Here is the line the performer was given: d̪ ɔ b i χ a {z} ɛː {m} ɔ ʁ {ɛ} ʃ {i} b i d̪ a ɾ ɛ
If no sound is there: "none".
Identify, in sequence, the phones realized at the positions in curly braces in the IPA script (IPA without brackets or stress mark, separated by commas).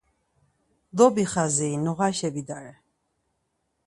z, n, a, ɛ